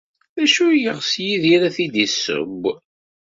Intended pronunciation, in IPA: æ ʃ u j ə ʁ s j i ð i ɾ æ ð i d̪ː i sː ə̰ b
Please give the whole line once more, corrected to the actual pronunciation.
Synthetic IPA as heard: æ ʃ u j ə ʁ s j i ð i ɾ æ θ i d̪ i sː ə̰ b